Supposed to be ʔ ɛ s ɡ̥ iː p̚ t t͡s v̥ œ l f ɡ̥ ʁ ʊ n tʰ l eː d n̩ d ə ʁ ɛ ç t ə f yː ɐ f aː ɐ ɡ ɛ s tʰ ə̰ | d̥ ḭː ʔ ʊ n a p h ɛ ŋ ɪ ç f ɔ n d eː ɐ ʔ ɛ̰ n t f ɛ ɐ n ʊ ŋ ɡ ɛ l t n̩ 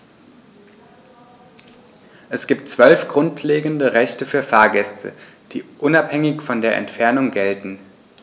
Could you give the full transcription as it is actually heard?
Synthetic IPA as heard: ʔ ɛ s ɡ̥ iː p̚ t t͡s v̥ œ l f ɡ̥ ʁ ʊ n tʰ l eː ɡ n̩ d ə ʁ ɛ ç t ə f yː ɐ f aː ɐ ɡ ɛ s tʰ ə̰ | d̥ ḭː ʔ ʊ n a p h ɛ ŋ ɪ ç f ɔ n d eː ɐ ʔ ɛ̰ n t f ɛ ɐ n ʊ ŋ ɡ ɛ l t n̩